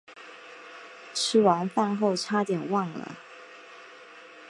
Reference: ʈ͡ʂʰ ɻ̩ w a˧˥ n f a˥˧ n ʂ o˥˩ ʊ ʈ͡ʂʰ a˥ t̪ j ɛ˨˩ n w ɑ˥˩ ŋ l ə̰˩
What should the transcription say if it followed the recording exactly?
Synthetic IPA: ʈ͡ʂʰ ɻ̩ w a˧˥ n f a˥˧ n x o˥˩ ʊ ʈ͡ʂʰ a˥ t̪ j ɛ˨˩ n w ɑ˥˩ ŋ l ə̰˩